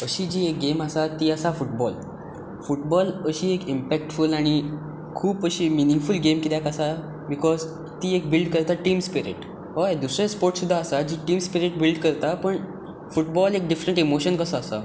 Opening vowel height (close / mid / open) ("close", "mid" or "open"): mid